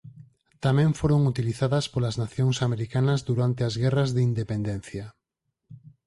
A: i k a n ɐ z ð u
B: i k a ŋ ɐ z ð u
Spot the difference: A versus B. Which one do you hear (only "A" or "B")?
A